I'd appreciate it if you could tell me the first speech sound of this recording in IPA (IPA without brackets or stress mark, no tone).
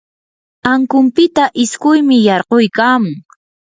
a